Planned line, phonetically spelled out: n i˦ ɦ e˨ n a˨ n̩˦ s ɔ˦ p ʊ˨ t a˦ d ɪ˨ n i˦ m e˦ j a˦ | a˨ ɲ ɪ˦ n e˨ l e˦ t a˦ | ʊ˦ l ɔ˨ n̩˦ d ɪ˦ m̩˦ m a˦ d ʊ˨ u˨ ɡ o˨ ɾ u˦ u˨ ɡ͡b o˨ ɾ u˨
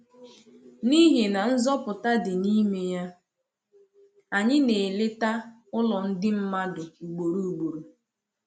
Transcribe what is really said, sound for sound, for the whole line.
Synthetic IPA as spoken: n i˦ ɦ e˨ n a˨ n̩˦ z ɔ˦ p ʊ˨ t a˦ d ɪ˨ n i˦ m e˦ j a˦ | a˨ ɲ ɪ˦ n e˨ l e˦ t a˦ | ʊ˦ l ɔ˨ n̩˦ d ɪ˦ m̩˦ m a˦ d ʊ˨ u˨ ɡ͡b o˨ ɾ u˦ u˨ ɡ͡b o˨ ɾ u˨